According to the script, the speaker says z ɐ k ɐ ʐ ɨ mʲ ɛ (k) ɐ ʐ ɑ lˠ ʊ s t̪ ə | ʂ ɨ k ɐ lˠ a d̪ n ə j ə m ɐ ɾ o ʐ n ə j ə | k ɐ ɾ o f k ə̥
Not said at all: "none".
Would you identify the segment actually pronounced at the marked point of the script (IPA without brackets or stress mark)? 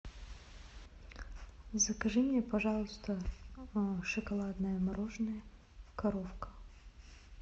p